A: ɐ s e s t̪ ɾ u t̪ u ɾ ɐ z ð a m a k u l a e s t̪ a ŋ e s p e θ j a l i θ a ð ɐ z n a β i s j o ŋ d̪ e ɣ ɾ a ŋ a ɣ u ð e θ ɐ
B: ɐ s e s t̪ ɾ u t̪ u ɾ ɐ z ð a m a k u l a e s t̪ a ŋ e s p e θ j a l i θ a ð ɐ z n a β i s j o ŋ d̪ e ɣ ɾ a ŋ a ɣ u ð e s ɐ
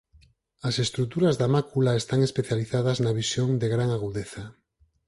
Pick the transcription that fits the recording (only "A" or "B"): A